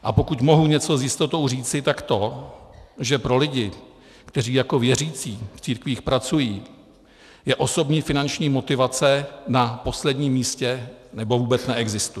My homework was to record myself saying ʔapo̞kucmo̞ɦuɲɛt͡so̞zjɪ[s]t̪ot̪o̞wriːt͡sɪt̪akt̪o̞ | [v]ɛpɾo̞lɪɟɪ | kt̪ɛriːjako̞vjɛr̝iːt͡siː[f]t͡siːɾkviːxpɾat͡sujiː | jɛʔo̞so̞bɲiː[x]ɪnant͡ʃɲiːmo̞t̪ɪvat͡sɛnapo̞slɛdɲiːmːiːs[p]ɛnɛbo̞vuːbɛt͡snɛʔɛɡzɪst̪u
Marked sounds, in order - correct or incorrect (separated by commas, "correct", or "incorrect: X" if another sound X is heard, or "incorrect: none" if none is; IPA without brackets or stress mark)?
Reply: correct, incorrect: ʒ, correct, incorrect: f, incorrect: c